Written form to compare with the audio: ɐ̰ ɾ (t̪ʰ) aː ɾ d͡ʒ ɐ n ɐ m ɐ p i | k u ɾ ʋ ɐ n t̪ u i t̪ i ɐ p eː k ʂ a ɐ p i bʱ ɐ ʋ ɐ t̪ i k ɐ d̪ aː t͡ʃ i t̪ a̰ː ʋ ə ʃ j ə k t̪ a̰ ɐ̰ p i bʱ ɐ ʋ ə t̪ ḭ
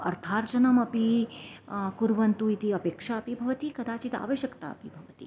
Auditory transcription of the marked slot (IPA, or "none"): t̪ʰ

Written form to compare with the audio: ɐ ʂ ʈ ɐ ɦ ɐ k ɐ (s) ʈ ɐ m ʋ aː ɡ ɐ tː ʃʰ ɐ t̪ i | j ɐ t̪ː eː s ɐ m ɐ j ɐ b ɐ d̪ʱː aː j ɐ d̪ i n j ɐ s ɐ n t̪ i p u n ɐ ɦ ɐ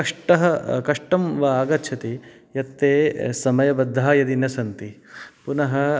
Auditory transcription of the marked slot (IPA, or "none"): ʂ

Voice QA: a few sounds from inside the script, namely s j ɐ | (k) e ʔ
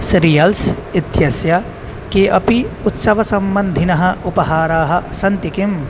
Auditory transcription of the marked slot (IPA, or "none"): k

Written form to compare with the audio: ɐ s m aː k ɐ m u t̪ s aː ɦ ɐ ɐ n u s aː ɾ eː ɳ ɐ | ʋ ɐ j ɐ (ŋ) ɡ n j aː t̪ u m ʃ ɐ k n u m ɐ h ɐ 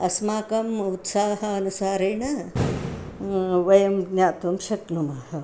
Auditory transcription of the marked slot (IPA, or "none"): m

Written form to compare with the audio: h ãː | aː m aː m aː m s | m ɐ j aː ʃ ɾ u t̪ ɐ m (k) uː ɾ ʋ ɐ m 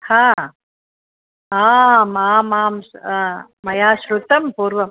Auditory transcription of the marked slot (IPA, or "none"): p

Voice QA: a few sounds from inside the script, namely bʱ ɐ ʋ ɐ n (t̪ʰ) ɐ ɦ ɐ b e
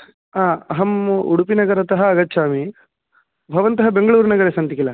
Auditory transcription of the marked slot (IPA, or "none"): t̪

